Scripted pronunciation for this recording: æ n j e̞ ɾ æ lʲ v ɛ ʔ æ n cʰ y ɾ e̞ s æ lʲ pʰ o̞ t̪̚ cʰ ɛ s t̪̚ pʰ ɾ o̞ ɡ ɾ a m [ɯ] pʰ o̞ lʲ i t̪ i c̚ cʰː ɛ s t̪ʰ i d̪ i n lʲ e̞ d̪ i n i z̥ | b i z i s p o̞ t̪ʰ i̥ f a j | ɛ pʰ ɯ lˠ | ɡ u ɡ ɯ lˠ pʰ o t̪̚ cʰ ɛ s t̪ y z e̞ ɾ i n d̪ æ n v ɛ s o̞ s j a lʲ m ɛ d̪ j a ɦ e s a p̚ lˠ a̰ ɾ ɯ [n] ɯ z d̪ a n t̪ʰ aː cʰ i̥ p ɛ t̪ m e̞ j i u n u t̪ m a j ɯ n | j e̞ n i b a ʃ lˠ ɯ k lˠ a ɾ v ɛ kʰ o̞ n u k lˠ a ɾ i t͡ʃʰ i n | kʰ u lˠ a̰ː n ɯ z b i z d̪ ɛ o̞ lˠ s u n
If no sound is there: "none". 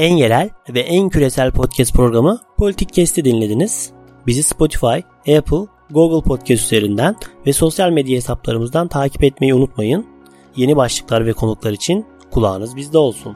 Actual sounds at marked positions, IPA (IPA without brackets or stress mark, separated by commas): ɯ, m